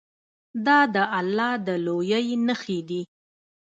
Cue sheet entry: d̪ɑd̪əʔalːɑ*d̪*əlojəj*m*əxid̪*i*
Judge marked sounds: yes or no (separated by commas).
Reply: yes, no, yes